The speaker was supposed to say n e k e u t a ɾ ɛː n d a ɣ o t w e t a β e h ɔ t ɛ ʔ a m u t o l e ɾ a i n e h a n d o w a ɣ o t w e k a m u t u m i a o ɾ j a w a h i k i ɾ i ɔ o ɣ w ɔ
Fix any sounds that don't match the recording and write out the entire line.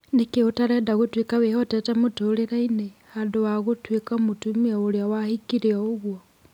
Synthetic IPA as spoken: n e k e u t a ɾ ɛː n d a ɣ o t w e k a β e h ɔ t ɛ t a m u t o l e ɾ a i n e h a n d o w a ɣ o t w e k a m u t u m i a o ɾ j a w a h i k i ɾ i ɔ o ɣ w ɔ